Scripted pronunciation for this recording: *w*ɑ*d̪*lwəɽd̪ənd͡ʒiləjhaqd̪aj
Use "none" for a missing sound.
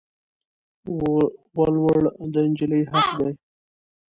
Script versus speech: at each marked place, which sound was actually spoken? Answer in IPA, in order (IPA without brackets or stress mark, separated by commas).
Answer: w, none